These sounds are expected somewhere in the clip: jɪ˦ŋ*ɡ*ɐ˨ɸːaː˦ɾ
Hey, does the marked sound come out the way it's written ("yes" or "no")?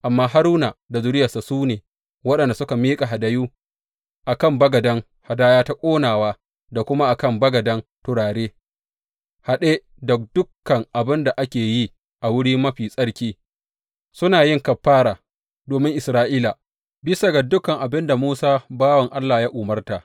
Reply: no